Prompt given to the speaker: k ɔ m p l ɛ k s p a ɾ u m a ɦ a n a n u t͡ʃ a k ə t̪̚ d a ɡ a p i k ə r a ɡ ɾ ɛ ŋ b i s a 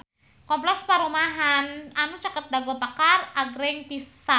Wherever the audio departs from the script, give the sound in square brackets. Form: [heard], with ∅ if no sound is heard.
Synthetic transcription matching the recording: k ɔ m p l ɛ k s p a ɾ u m a ɦ a n a n u t͡ʃ a k ə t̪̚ d a ɡ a p [a] k [a] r a ɡ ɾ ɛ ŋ [p] i s a